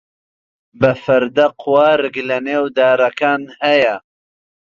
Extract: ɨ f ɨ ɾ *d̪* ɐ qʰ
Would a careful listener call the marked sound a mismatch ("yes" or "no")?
no